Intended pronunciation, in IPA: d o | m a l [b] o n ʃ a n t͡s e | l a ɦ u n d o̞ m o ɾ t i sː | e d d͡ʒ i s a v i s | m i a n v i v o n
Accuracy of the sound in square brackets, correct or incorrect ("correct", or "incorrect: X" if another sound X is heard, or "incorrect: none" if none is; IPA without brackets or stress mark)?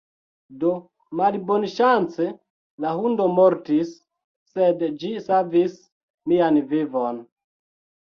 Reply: correct